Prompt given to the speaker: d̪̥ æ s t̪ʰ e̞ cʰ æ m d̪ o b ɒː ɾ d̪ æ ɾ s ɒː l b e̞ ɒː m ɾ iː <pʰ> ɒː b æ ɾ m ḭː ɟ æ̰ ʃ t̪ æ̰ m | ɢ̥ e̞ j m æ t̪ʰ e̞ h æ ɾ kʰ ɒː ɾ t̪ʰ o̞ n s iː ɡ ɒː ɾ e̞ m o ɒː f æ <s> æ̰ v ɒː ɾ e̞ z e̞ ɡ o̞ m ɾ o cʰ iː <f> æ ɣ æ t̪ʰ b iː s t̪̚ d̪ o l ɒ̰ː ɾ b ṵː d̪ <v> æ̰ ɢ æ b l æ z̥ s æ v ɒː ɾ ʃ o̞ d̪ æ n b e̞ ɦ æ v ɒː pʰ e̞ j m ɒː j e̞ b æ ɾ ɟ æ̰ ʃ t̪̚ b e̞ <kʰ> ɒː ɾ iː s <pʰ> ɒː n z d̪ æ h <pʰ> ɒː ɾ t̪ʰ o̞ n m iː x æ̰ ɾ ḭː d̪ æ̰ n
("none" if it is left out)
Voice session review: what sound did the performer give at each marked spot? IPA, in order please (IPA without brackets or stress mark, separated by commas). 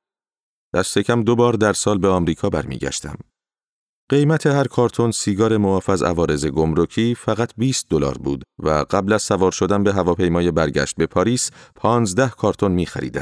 kʰ, z, f, v, pʰ, pʰ, kʰ